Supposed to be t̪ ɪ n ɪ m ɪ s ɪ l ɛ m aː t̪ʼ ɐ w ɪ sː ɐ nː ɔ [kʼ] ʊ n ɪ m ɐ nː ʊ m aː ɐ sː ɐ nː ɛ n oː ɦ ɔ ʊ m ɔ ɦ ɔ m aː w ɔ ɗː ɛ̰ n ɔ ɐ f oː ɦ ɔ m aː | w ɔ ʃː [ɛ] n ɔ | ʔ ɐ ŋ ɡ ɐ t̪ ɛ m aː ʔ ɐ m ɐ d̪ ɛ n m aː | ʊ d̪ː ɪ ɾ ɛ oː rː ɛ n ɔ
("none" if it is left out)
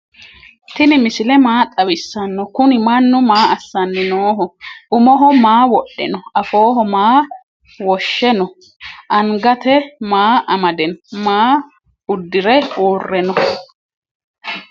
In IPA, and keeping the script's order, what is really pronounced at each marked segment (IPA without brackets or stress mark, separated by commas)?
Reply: k, ɛ